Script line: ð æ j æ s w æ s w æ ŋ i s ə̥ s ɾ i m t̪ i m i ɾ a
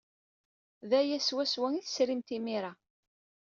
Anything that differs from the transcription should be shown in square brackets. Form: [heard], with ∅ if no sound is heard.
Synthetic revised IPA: ð æ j æ s w æ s w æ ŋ i [θ] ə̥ s ɾ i m t̪ i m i ɾ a